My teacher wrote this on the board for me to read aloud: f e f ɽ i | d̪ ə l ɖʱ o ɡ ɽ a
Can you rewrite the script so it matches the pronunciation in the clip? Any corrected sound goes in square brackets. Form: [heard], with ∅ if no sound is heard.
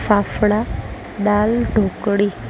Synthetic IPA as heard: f [a] f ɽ [a] | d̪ [a] l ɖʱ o [k] ɽ [i]